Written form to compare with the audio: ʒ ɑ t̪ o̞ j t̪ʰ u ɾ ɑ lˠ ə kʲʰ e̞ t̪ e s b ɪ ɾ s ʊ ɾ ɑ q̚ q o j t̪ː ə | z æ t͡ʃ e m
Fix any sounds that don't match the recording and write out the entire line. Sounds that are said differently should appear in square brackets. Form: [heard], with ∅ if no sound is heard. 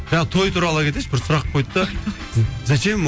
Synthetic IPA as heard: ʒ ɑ [t̪ʰ] o̞ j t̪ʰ u ɾ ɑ lˠ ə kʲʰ e̞ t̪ e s b ɪ ɾ s ʊ ɾ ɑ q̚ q o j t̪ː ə | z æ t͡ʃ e m